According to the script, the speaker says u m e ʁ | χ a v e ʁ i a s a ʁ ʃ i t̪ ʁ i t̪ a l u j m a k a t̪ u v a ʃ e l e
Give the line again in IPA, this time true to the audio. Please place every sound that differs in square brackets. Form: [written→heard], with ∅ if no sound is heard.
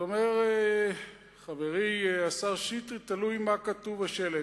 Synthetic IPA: [u→o] m e ʁ | χ a v e ʁ i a s a ʁ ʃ i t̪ ʁ i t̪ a l u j m a k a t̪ u v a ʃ e l e